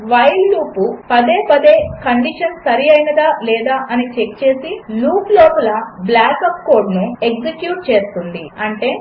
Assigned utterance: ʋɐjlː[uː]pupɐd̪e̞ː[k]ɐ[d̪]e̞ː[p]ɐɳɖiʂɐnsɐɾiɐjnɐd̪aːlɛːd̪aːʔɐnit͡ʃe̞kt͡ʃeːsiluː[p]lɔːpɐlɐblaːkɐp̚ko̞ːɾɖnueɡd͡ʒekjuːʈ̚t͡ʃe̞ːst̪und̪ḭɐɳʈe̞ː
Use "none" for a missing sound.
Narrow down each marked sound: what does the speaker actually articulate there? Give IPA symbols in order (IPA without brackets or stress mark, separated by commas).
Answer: uː, p, d̪, k, p